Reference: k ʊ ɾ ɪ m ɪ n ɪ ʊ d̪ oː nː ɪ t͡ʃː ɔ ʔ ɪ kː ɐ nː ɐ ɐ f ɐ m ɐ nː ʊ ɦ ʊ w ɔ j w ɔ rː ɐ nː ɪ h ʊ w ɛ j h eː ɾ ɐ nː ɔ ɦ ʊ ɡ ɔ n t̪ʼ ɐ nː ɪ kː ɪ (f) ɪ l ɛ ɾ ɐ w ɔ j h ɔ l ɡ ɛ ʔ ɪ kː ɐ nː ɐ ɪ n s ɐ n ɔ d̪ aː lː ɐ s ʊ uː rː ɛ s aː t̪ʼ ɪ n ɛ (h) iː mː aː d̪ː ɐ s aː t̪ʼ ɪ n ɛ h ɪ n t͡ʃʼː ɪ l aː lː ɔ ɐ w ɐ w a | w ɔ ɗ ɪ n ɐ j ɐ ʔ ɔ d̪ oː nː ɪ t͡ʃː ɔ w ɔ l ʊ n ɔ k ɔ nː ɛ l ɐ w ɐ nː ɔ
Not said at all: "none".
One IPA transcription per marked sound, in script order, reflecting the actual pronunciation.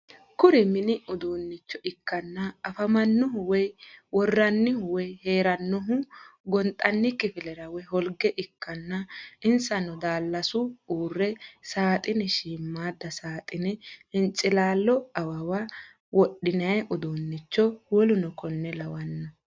f, ʃ

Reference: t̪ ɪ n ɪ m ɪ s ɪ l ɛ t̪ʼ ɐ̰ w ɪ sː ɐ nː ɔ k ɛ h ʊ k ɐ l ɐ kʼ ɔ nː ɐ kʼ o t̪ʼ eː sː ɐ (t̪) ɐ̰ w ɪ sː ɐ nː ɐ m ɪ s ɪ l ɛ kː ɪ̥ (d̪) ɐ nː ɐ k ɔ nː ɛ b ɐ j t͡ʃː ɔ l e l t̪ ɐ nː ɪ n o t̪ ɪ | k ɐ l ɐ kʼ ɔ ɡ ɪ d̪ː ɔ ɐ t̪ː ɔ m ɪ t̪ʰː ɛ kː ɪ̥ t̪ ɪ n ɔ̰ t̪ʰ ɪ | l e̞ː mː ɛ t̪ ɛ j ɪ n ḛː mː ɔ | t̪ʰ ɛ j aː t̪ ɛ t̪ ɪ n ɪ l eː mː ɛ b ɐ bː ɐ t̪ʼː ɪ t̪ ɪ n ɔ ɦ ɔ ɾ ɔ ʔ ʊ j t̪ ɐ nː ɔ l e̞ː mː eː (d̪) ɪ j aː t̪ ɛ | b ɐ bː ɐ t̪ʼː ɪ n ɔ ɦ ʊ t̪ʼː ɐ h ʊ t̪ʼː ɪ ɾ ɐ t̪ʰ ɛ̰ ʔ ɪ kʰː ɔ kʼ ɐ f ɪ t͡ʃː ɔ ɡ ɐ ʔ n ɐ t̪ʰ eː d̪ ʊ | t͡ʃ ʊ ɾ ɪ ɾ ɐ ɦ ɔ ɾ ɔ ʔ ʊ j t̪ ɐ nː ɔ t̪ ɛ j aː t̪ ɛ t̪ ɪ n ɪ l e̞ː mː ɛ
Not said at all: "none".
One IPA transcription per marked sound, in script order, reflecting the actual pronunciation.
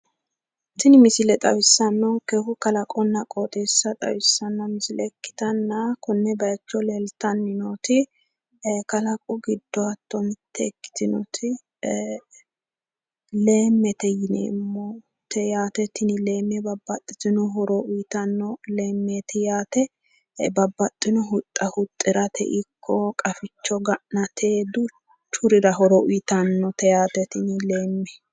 t̪ʼ, t̪, t̪

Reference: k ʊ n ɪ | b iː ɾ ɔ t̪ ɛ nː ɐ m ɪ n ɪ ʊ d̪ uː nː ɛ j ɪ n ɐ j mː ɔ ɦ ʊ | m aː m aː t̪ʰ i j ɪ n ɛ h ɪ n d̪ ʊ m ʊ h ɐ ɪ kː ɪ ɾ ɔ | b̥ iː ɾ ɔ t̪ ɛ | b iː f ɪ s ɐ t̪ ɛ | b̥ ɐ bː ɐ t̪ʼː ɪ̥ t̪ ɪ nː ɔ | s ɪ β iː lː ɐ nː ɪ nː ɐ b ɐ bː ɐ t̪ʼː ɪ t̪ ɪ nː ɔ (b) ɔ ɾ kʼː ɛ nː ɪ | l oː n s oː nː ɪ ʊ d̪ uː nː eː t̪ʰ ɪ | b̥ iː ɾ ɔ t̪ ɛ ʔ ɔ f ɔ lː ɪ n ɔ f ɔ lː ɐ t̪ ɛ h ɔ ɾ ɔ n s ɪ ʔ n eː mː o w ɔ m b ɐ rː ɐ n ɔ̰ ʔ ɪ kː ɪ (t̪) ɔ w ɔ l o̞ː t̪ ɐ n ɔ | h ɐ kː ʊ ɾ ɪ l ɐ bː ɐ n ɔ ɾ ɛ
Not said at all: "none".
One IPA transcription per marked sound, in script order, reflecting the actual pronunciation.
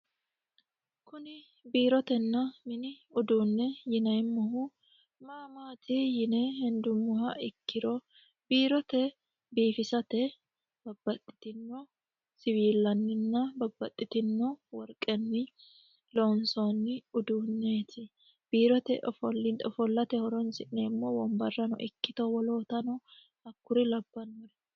w, t̪

